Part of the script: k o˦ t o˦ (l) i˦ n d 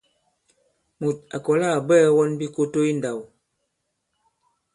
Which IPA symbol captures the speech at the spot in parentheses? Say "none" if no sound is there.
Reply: none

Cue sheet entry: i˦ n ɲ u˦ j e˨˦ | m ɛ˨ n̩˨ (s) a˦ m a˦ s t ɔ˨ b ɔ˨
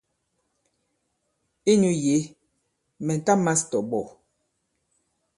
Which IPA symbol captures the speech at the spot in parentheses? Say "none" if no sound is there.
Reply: t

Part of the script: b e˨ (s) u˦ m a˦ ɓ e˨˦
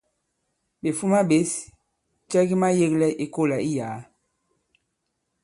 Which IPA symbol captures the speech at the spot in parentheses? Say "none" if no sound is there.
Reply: f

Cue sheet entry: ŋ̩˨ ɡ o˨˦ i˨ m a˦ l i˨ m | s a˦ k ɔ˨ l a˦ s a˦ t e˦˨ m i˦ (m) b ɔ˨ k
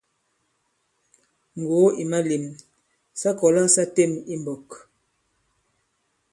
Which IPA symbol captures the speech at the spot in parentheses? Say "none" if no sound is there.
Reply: m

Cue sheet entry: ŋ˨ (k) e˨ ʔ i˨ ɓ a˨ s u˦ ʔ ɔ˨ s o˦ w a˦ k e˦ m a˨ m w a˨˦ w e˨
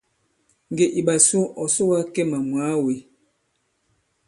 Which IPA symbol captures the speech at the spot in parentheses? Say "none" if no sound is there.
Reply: ɡ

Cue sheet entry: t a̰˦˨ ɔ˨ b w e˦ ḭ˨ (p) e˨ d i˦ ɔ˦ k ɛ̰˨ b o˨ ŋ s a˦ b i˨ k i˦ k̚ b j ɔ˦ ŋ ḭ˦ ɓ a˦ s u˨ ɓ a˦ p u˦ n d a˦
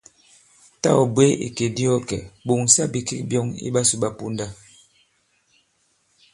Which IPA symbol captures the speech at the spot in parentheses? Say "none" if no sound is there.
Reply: k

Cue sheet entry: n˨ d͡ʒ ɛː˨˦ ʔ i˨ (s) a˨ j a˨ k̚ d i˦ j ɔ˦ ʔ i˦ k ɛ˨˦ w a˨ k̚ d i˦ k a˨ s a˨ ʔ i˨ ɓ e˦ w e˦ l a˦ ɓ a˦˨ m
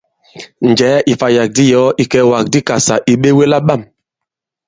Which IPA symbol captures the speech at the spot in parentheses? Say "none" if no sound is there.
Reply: f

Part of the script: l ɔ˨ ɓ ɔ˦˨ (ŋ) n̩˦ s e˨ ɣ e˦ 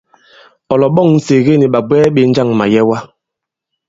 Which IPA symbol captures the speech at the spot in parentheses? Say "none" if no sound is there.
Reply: ŋ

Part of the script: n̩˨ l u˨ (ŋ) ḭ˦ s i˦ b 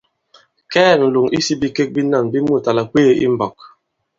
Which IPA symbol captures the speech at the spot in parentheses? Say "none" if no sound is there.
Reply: ŋ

